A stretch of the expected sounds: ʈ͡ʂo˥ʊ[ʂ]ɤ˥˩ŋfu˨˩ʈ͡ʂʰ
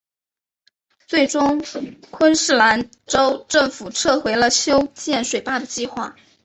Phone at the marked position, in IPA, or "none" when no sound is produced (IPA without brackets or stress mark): ʈ͡ʂ